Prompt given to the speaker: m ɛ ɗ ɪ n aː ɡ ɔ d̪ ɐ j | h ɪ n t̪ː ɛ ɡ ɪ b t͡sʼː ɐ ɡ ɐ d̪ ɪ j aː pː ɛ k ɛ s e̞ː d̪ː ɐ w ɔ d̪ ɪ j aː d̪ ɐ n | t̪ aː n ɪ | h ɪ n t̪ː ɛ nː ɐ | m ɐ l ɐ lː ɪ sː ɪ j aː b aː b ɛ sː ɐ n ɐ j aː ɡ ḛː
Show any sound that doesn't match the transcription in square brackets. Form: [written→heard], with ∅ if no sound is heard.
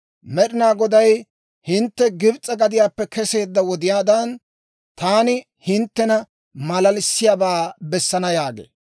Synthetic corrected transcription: m ɛ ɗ ɪ n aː ɡ ɔ d̪ ɐ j | h ɪ n t̪ː ɛ ɡ ɪ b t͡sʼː ɐ ɡ ɐ d̪ ɪ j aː pː ɛ k ɛ s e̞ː d̪ː ɐ w ɔ d̪ ɪ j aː d̪ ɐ n | t̪ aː n ɪ | h ɪ n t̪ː ɛ [nː→n] ɐ | m ɐ l ɐ [lː→l] ɪ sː ɪ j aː b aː b ɛ sː ɐ n ɐ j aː ɡ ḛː